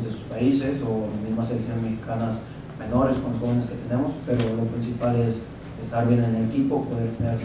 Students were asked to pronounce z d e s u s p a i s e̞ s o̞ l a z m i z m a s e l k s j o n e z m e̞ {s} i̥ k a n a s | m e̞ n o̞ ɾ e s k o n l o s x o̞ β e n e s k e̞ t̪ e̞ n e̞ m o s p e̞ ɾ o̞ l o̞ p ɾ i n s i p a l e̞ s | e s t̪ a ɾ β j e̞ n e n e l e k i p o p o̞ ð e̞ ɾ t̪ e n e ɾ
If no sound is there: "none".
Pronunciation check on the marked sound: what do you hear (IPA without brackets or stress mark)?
x